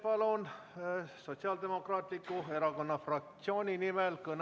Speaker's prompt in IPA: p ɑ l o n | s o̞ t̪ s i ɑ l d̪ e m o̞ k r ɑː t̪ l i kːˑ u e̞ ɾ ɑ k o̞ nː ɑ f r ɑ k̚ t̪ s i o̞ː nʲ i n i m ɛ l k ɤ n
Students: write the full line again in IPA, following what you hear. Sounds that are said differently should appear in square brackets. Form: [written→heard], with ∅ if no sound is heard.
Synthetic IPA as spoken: p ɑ l o n | s o̞ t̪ s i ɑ l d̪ e m o̞ k r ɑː t̪ l i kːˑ u e̞ ɾ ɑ k o̞ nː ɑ f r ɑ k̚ t̪ s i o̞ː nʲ i n i m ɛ l k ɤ n